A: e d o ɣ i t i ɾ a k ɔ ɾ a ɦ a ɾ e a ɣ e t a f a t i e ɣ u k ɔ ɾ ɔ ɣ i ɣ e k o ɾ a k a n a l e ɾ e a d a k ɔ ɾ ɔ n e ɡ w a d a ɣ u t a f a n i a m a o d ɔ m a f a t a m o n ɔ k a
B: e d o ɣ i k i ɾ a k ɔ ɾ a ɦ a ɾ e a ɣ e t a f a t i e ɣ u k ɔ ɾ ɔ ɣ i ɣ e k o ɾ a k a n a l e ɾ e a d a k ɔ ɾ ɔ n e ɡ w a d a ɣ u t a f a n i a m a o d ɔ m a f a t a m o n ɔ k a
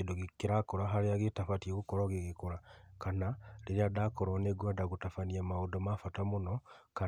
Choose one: B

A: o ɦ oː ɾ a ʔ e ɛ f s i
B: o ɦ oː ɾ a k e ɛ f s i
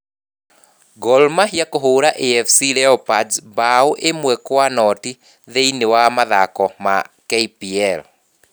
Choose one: A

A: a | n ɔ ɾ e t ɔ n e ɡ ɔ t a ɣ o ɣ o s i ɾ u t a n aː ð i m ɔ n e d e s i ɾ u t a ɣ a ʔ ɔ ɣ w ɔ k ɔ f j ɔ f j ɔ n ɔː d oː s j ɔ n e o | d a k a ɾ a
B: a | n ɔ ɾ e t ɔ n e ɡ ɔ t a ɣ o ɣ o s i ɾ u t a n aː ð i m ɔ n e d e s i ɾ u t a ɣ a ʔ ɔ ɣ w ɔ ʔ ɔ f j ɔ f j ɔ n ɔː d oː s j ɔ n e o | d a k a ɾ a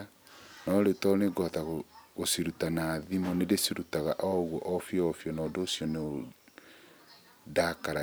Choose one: B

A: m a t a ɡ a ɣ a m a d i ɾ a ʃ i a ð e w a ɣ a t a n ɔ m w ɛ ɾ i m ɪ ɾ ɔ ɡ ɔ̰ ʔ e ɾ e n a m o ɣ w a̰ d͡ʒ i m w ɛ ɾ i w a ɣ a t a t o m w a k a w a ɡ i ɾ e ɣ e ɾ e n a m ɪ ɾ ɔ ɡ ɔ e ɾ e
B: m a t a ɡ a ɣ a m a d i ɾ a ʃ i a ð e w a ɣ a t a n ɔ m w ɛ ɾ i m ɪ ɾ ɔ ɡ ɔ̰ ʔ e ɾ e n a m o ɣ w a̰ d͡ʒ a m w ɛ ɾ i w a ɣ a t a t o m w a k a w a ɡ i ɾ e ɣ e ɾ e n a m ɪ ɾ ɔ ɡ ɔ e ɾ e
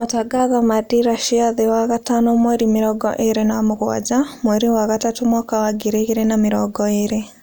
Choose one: B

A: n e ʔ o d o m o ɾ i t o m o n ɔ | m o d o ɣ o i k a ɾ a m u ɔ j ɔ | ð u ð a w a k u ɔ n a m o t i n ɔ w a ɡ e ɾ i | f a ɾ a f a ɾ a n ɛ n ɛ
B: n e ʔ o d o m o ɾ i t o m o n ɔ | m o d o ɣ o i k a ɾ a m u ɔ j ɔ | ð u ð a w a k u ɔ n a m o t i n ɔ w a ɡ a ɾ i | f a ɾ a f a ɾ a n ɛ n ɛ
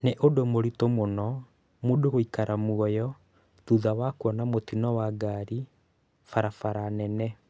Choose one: B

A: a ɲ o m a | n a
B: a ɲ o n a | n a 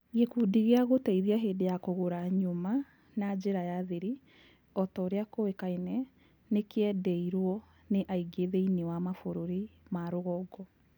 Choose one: A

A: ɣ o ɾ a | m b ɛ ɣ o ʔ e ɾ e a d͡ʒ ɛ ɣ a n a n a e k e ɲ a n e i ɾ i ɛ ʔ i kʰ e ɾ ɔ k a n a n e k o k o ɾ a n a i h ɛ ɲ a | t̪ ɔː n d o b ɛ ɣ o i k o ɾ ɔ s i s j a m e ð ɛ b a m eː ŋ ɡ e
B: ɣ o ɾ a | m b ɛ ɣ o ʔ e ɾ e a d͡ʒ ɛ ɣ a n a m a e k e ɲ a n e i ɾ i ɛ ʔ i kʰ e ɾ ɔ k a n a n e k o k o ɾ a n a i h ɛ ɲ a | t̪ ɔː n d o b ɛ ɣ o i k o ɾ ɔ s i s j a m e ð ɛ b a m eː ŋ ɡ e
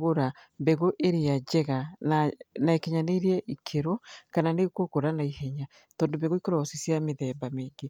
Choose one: A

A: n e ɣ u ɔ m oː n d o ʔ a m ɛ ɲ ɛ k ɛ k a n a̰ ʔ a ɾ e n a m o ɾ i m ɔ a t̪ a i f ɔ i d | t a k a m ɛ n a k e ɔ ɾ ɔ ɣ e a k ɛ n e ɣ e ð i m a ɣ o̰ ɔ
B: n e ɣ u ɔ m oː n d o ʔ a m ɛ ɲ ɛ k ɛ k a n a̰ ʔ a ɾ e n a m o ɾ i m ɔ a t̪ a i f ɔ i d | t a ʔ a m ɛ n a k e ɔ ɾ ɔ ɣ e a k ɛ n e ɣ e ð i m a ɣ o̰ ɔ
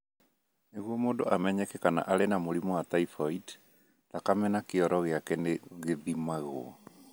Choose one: A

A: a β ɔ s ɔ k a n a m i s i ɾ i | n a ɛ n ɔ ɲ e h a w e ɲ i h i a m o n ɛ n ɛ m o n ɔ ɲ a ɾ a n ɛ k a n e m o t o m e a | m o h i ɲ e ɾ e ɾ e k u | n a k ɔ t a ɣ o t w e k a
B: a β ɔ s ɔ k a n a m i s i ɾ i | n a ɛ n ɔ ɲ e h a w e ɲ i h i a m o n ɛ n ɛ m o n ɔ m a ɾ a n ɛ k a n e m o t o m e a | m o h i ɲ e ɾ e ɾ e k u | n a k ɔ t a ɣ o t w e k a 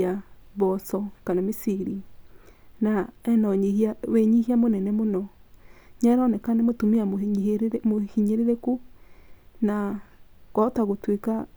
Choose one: A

